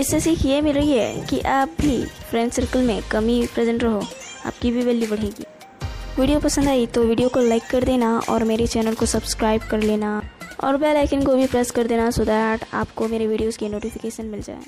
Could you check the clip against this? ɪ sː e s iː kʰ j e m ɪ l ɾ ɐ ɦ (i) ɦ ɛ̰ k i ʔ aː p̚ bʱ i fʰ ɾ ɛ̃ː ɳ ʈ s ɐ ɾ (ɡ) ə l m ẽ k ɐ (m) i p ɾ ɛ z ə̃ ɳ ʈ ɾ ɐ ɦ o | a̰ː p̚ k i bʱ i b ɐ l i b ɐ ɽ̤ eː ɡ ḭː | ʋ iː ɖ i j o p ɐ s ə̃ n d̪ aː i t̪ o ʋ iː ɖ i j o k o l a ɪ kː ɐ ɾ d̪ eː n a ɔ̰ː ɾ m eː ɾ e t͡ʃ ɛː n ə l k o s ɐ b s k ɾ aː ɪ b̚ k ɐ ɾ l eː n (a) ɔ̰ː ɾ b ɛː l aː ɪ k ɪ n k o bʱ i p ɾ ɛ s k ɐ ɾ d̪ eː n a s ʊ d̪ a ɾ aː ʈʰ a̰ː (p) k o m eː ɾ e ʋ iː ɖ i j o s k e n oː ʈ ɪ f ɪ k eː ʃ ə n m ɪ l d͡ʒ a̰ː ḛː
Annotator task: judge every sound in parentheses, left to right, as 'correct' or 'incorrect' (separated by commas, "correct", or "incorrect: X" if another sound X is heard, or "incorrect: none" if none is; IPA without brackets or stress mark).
correct, incorrect: k, correct, correct, correct